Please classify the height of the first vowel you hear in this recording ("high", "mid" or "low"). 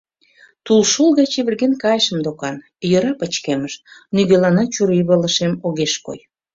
high